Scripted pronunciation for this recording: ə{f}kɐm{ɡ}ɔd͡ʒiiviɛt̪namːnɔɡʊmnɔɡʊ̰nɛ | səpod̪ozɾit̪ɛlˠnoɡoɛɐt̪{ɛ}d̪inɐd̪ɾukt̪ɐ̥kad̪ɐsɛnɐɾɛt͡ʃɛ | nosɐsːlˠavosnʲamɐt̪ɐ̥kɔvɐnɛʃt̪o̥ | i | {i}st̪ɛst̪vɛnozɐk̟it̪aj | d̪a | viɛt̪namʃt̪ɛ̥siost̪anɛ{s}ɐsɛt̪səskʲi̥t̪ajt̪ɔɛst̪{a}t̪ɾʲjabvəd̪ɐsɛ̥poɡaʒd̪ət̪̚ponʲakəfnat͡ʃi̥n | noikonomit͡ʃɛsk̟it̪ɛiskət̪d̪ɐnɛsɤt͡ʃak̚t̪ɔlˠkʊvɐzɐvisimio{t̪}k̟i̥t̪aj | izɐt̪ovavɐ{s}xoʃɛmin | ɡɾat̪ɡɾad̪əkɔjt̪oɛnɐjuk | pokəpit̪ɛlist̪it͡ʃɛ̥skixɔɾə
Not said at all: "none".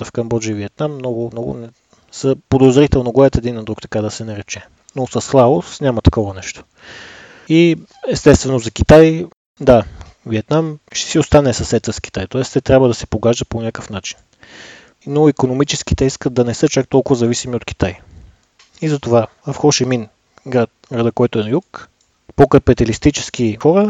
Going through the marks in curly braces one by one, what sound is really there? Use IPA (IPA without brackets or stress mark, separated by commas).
f, b, ɛ, ɛ, s, ɛ, t̪, f